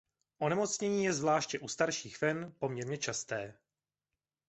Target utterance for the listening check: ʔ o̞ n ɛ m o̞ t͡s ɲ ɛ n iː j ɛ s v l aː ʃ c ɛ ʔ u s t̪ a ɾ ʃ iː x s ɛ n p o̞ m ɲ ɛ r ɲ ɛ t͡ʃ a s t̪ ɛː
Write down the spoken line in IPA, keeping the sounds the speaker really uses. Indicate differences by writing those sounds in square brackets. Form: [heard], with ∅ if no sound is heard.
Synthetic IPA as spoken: ʔ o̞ n ɛ m o̞ t͡s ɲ ɛ [ɲ] iː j ɛ [z] v l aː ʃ c ɛ ʔ u s t̪ a ɾ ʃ iː x [f] ɛ n p o̞ m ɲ ɛ [ɾ] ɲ ɛ t͡ʃ a s t̪ ɛː